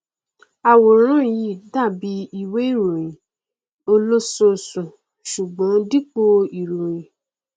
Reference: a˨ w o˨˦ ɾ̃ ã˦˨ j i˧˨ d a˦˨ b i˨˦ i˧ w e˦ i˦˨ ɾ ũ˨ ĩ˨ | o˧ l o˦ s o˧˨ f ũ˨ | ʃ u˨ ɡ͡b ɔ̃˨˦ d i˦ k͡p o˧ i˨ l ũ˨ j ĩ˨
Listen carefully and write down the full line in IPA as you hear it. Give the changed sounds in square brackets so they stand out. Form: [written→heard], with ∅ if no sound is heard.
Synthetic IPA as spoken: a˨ w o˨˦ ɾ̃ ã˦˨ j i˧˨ d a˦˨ b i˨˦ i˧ w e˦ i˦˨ ɾ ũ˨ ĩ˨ | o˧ l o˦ s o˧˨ [f→s] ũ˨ | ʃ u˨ ɡ͡b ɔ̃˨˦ d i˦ k͡p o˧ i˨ [l→ɾ] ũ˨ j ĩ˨

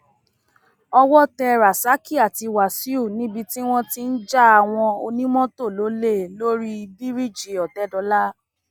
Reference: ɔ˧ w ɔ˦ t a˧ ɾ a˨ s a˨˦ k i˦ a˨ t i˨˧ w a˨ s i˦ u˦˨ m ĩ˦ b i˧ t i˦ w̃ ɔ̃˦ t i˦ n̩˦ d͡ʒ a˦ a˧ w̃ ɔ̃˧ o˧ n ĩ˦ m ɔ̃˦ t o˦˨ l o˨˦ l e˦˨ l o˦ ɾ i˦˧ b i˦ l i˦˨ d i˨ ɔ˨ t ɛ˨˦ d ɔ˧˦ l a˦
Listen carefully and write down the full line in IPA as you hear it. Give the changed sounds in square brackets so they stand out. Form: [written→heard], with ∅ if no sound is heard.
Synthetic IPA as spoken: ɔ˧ w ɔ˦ t [a˧→ɛ˧] ɾ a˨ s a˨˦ k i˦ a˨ t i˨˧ w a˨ s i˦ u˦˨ [m→n] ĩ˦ b i˧ t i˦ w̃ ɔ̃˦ t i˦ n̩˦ d͡ʒ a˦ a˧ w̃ ɔ̃˧ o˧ n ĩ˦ m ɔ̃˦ t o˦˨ l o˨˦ l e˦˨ l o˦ ɾ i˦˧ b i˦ [l→ɾ] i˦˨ [d→d͡ʒ] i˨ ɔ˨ t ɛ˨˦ d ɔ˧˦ l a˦

